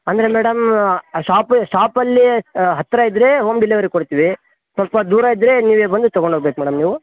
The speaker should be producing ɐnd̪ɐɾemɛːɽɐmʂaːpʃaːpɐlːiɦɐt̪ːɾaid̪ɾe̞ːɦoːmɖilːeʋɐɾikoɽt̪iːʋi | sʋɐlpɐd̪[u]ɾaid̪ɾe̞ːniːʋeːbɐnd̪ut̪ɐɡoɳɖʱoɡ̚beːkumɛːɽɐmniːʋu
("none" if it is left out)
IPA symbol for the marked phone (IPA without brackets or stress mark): uː